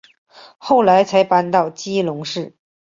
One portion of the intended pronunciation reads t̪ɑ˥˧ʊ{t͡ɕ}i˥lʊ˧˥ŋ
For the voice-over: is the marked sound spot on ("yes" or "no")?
yes